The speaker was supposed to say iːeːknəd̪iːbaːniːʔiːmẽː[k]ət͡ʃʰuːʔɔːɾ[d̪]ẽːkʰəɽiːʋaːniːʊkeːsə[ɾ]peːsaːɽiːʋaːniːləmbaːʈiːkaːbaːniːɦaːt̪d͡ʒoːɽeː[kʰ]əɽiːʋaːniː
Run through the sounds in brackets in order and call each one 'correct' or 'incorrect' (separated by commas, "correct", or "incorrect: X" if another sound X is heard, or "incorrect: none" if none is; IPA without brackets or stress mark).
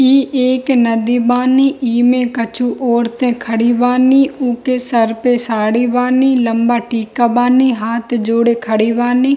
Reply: correct, incorrect: t̪, correct, correct